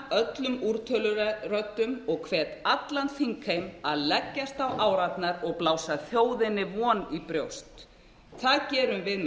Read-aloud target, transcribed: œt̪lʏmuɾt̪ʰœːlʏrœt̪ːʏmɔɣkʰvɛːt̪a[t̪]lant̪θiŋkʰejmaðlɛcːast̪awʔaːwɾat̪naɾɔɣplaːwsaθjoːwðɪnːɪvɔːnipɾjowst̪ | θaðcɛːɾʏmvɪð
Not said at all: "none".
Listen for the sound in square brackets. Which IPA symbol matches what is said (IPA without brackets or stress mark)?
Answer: t̪